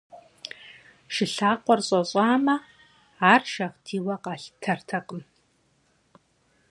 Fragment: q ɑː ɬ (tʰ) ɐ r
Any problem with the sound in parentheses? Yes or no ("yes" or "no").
no